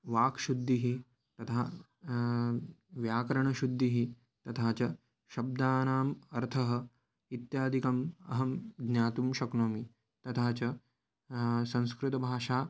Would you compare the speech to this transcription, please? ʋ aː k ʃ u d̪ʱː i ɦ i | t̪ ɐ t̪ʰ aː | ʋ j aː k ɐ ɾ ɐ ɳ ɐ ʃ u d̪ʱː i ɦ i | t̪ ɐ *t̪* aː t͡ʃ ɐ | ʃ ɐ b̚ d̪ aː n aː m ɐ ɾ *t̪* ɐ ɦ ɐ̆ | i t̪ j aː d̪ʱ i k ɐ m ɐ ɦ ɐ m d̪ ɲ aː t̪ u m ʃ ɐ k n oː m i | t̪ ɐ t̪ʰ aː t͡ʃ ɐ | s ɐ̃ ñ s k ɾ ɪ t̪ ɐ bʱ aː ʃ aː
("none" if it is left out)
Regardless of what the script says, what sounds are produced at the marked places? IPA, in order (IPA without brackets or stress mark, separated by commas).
t̪ʰ, t̪ʰ